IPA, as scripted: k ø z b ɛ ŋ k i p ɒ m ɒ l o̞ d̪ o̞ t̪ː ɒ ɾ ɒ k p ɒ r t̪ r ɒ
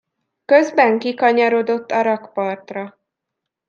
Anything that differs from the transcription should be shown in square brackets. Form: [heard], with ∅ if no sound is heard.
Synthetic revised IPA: k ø z b ɛ ŋ k i [k] ɒ [ɲ] ɒ [ɾ] o̞ d̪ o̞ t̪ː ɒ ɾ ɒ k p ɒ r t̪ r ɒ